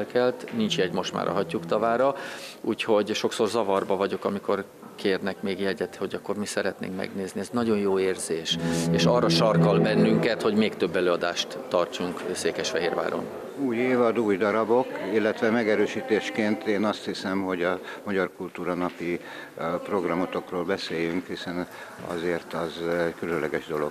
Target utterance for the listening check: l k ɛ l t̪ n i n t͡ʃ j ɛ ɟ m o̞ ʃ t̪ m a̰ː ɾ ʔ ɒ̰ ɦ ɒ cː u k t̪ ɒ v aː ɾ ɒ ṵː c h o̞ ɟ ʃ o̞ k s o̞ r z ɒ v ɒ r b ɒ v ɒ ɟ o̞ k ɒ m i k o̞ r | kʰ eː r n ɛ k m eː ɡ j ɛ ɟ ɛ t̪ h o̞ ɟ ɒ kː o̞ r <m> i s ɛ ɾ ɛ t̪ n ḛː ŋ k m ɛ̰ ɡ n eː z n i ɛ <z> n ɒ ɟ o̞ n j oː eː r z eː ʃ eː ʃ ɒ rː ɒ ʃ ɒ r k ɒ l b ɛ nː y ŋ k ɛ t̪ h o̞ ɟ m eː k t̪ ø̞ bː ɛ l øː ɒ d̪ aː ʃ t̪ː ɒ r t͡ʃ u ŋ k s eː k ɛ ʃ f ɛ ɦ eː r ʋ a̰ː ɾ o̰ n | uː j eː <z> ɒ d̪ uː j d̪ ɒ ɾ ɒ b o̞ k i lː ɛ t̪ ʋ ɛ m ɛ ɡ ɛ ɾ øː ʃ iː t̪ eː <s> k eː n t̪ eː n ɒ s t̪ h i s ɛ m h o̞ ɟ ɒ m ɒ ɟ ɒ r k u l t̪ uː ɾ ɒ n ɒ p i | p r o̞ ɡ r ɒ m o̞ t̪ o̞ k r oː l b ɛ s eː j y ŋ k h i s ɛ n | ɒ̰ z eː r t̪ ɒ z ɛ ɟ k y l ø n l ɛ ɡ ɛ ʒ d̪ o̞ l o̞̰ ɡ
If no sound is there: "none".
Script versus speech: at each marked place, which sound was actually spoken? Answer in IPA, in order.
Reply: m, z, v, ʃ

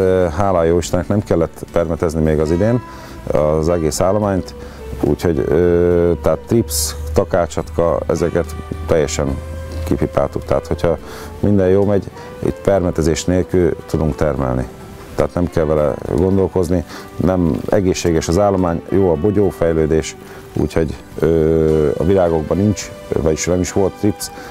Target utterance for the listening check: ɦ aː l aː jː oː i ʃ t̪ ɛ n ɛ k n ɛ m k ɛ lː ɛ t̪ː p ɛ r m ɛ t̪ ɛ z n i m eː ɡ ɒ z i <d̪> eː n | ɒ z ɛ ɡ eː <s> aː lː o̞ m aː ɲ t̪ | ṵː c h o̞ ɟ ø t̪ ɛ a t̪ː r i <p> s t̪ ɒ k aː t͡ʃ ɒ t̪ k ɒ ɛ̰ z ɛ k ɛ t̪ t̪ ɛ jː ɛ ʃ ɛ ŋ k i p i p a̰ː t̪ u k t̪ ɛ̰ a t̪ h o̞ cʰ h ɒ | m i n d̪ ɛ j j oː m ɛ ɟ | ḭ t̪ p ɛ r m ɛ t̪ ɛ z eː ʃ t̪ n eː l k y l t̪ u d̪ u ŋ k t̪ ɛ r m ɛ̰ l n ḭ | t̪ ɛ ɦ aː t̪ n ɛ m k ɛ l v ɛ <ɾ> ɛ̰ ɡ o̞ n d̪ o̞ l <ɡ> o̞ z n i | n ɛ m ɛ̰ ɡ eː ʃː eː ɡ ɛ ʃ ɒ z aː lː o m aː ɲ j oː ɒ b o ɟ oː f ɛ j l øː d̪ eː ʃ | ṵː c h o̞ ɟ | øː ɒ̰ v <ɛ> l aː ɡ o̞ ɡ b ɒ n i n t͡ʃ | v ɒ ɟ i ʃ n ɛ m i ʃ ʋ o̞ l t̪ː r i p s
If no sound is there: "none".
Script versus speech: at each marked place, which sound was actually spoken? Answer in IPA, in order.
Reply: d̪, s, p, l, k, i

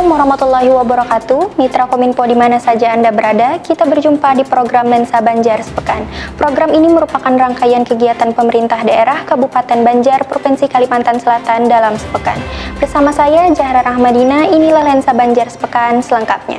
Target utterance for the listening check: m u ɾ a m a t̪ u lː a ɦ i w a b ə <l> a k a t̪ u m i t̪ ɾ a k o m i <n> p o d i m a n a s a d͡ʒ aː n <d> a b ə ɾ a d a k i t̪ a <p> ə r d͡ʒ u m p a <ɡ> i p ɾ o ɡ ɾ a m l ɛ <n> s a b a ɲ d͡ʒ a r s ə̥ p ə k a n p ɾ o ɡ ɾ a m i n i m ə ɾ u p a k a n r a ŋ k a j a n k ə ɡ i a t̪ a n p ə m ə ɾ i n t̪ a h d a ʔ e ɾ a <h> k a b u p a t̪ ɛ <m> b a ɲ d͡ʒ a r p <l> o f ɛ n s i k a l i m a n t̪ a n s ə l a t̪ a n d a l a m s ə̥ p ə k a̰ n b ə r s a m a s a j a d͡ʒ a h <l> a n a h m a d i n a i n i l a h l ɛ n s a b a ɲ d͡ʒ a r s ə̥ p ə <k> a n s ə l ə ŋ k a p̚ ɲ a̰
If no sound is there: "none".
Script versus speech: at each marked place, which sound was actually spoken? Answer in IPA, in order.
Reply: ɾ, n, d, b, d, n, h, n, ɾ, ɾ, k

